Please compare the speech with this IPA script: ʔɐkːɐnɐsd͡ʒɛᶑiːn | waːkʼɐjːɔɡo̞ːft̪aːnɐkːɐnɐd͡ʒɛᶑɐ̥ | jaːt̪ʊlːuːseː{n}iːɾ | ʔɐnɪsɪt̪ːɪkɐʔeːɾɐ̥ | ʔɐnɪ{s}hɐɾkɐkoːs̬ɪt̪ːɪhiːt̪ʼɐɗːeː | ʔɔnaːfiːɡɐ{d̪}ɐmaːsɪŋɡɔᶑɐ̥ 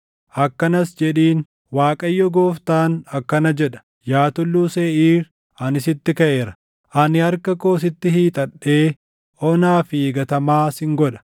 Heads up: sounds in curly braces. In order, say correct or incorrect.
incorrect: none, incorrect: none, incorrect: t̪

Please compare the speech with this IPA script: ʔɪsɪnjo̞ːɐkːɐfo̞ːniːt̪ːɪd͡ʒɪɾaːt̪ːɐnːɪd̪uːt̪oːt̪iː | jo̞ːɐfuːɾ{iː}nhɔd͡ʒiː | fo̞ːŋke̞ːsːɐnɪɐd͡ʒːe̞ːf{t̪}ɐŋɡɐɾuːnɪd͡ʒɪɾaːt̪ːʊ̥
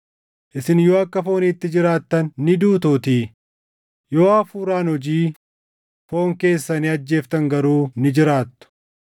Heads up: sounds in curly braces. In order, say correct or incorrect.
incorrect: aː, correct

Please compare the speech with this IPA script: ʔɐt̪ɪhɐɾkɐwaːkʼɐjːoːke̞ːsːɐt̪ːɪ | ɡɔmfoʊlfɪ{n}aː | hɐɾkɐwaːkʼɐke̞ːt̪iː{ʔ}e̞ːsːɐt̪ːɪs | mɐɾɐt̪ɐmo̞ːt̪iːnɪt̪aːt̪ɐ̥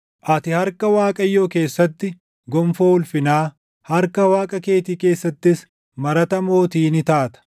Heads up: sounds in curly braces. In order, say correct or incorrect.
correct, incorrect: k

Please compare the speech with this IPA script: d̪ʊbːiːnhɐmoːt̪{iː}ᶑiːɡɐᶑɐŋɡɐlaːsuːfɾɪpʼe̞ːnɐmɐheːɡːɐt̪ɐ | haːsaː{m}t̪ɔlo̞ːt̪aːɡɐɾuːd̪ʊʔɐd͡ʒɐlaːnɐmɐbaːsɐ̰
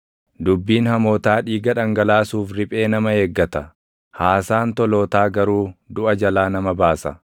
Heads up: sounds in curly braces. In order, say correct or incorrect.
incorrect: aː, incorrect: n

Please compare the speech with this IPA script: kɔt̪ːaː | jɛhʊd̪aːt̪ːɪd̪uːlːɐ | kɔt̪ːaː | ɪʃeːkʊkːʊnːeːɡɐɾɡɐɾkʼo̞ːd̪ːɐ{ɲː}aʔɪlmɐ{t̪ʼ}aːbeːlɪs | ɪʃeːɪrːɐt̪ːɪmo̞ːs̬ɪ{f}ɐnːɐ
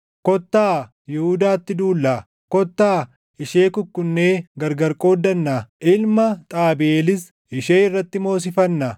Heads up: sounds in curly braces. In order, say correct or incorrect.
incorrect: nː, correct, correct

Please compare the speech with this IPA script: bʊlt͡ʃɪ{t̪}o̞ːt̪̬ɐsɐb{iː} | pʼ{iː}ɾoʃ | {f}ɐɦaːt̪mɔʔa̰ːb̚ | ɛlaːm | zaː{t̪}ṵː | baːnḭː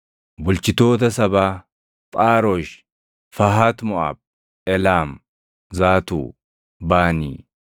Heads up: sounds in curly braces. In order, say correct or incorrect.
correct, incorrect: aː, incorrect: aː, correct, correct

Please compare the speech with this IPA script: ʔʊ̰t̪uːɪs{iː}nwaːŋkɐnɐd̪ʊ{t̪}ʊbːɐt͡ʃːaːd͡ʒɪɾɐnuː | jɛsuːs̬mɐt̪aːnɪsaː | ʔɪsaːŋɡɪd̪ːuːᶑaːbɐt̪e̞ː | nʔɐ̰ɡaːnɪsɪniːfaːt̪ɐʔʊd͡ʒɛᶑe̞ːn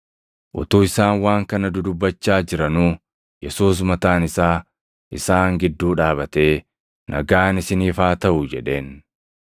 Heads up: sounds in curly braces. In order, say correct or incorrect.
incorrect: aː, incorrect: d̪

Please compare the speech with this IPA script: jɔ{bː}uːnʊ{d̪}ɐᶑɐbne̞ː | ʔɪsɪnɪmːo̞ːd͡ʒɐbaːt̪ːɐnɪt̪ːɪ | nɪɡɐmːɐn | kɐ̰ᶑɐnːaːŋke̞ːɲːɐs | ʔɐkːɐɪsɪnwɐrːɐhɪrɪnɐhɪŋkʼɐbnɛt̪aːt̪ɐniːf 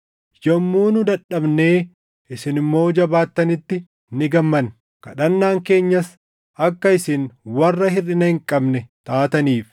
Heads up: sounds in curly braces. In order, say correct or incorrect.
incorrect: mː, correct

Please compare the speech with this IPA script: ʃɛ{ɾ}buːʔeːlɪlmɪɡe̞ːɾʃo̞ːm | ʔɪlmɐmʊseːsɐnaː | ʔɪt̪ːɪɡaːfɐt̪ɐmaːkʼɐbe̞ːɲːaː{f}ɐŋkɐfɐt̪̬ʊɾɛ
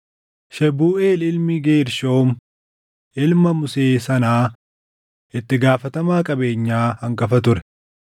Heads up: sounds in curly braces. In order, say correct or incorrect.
incorrect: none, incorrect: h

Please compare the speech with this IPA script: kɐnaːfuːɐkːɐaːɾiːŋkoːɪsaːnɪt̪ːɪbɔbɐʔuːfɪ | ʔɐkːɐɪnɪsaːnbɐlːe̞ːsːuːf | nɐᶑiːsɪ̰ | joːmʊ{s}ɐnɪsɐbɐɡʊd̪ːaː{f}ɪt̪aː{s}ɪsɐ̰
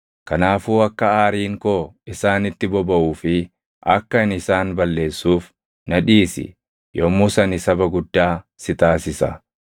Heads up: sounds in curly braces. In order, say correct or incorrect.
correct, incorrect: s, correct

